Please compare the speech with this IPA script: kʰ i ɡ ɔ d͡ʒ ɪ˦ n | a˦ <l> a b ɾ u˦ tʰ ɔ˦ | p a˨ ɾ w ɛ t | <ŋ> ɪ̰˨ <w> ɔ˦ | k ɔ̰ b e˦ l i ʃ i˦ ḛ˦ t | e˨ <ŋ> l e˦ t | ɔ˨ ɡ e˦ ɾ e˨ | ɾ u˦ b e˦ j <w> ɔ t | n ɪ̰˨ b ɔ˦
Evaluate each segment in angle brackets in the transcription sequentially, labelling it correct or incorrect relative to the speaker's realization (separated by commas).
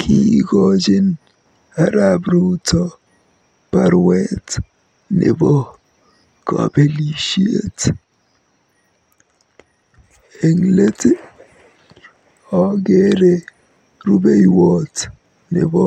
incorrect, incorrect, incorrect, correct, correct